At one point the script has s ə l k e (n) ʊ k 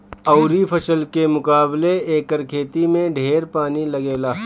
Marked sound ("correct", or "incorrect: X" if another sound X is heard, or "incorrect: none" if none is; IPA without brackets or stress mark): incorrect: m